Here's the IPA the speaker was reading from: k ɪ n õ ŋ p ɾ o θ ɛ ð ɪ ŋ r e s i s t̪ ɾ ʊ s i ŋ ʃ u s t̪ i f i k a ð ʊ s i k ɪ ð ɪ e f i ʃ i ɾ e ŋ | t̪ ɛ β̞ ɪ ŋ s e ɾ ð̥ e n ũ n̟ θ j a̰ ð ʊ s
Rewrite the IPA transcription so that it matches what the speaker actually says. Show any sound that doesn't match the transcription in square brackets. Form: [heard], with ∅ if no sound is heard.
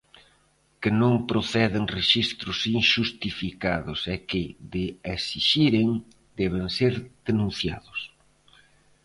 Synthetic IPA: k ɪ n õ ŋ p ɾ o θ ɛ ð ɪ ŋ r e [ʃ] i s t̪ ɾ ʊ s i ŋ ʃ u s t̪ i f i k a ð ʊ s [ɛ] k ɪ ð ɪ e [s] i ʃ i ɾ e ŋ | [d̪] ɛ β̞ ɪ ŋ s e ɾ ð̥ e n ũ n̟ θ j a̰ ð ʊ s